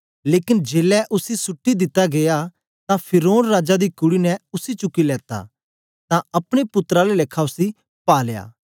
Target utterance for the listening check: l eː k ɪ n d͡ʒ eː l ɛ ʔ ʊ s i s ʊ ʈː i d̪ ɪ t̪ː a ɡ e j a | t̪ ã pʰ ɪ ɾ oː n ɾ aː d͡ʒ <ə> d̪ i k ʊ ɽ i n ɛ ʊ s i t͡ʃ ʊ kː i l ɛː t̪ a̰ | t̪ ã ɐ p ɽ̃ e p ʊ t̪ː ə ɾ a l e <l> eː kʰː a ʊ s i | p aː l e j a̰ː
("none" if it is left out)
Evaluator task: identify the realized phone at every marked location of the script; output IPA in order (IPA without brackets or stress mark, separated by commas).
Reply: a, l